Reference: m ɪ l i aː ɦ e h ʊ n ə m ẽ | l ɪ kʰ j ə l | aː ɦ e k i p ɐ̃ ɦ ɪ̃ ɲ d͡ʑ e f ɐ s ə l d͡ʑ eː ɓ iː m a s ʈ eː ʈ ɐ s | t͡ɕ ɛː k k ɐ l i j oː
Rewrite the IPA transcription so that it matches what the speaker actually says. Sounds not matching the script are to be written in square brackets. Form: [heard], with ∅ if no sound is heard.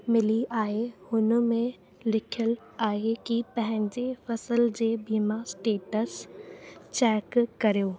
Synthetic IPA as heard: m ɪ l i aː ɦ e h ʊ n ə m ẽ | l ɪ kʰ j ə l | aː ɦ e k i p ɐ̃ ɦ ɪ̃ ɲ d͡ʑ e f ɐ s ə l d͡ʑ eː [b] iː m a s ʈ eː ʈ [ə] s | t͡ɕ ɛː k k ɐ [ɾ] i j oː